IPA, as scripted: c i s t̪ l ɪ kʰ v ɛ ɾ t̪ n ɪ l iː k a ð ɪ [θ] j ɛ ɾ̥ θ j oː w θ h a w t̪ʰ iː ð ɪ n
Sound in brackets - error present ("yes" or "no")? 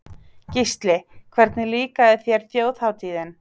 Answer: no